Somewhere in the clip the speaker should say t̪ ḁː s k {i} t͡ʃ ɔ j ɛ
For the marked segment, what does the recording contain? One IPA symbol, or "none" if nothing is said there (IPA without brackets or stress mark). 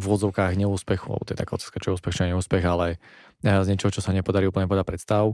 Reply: a